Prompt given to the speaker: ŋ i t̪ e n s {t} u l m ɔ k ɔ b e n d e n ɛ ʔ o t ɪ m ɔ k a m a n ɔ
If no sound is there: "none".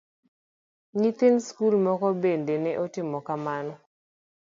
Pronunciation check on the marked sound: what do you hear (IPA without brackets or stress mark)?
k